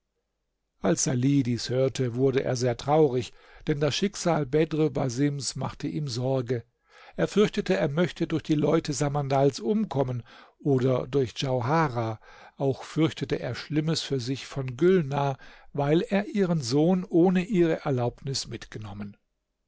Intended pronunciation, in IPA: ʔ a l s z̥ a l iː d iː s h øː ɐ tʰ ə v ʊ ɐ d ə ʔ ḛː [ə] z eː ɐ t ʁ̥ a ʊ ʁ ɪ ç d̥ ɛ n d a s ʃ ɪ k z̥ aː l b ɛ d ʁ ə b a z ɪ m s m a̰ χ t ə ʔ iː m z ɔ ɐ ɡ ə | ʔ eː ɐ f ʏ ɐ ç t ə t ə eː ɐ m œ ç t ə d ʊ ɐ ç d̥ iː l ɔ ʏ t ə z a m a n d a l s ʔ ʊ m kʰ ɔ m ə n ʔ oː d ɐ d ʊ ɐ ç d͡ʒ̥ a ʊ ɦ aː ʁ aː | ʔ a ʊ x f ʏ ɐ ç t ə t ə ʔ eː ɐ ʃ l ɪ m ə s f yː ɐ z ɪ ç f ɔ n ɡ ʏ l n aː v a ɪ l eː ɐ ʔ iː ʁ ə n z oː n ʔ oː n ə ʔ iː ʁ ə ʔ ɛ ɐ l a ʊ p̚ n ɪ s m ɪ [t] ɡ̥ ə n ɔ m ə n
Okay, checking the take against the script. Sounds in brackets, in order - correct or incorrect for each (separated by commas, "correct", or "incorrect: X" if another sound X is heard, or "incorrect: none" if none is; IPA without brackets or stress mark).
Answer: incorrect: ɐ, correct